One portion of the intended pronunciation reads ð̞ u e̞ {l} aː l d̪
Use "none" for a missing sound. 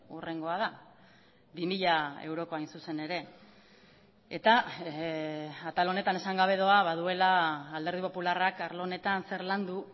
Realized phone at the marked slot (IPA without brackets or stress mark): l